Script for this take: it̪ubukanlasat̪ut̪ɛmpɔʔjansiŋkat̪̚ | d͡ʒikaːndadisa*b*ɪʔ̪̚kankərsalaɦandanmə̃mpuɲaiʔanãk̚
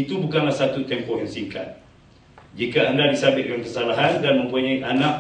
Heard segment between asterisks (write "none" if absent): b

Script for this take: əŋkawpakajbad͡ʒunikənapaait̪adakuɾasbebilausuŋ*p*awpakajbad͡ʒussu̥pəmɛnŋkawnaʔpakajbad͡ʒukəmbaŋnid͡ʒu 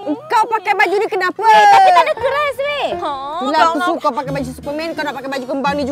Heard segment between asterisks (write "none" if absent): k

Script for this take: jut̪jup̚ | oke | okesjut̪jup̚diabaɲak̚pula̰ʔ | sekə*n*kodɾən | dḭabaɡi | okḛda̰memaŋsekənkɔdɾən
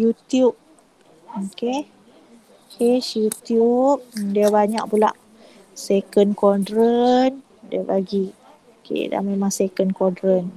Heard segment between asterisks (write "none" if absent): n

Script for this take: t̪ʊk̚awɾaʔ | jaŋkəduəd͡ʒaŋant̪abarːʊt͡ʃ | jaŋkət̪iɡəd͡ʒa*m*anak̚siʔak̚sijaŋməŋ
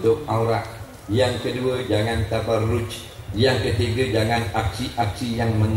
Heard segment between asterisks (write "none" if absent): ŋ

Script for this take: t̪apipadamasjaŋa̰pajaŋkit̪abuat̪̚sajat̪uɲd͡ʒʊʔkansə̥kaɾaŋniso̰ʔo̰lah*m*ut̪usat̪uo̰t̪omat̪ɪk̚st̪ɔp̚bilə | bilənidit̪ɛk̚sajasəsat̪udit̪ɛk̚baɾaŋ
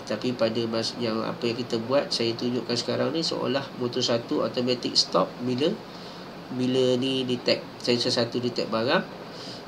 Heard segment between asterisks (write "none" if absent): m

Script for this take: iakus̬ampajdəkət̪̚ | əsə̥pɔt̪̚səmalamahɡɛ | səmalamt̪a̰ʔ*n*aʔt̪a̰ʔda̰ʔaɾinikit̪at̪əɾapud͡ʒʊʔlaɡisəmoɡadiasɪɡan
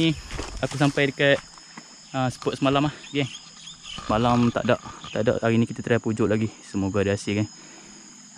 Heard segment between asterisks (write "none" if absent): d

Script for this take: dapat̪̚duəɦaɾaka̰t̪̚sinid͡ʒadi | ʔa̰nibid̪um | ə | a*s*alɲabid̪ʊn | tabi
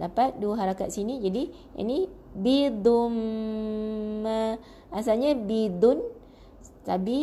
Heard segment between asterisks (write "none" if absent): s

